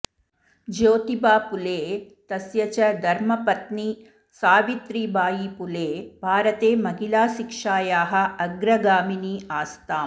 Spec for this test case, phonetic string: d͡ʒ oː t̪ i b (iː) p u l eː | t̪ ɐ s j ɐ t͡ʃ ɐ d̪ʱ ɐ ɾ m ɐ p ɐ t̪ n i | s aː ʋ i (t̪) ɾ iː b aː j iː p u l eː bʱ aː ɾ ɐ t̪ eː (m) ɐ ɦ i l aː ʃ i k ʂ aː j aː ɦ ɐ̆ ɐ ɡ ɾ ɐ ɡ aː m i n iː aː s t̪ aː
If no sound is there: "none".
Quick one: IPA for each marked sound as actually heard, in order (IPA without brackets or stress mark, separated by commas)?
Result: aː, t̪, m